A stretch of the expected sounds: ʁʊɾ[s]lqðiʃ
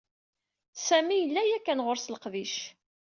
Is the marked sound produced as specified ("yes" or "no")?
yes